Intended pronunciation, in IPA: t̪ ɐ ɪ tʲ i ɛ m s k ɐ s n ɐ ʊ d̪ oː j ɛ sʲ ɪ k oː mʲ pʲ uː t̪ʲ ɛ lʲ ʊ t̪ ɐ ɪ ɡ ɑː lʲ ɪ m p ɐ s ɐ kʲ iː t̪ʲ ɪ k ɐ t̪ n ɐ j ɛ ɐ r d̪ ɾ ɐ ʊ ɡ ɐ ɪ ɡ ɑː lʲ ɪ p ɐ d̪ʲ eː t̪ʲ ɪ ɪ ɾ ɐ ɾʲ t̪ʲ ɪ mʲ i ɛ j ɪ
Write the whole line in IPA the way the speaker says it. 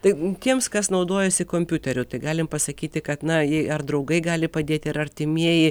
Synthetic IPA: t̪ ɐ ɪ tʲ i ɛ m s k ɐ s n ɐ ʊ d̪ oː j ɛ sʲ ɪ k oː mʲ pʲ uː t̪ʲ ɛ ɾʲ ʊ t̪ ɐ ɪ ɡ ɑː lʲ ɪ m p ɐ s ɐ kʲ iː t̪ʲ ɪ k ɐ t̪ n ɐ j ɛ ɐ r d̪ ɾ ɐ ʊ ɡ ɐ ɪ ɡ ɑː lʲ ɪ p ɐ d̪ʲ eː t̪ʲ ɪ ɪ ɾ ɐ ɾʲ t̪ʲ ɪ mʲ i ɛ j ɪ